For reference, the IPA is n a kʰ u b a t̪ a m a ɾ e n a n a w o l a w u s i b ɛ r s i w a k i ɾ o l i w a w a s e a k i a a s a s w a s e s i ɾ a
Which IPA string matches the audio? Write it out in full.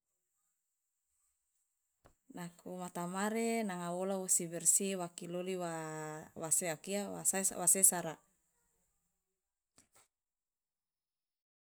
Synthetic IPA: n a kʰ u m a t̪ a m a ɾ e n a ŋ a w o l a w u s i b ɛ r s i w a k i l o l i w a w a s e a k i a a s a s w a s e s a ɾ a